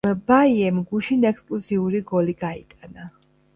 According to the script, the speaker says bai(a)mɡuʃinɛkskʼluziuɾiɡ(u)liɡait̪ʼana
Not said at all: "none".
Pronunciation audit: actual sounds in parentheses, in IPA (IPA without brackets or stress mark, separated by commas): ɛ, ɔ